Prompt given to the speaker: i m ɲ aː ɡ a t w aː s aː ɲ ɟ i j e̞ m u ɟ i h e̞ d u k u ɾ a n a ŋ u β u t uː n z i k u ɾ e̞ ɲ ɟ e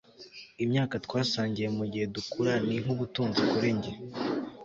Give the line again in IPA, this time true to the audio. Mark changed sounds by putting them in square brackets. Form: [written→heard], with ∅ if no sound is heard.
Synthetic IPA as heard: i m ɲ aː [ɡ→k] a t w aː s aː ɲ ɟ i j e̞ m u ɟ i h e̞ d u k u ɾ a n [a→i] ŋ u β u t uː n z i k u ɾ e̞ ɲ ɟ e